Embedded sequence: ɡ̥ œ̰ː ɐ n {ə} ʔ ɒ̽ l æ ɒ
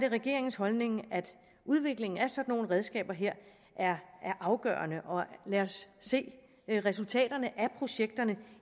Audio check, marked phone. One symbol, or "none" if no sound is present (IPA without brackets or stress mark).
ə